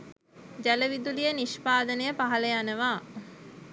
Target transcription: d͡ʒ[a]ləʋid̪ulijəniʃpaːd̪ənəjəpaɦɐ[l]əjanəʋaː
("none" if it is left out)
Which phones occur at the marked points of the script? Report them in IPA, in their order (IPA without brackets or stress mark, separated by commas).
æ, l